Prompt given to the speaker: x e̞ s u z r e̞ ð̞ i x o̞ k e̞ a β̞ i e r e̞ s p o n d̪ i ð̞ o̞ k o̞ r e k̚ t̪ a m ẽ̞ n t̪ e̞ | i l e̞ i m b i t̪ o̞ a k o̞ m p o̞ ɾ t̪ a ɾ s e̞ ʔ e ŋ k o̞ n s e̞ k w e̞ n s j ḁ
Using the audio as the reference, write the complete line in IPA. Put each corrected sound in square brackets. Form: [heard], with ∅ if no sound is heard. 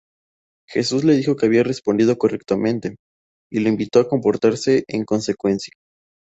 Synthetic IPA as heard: x e̞ s u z [l] e̞ ð̞ i x o̞ k e̞ a β̞ i [a] r e̞ s p o n d̪ i ð̞ o̞ k o̞ r e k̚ t̪ a m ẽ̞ n t̪ e̞ | i l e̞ i m b i t̪ o̞ a k o̞ m p o̞ ɾ t̪ a ɾ s e̞ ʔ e ŋ k o̞ n s e̞ k w e̞ n s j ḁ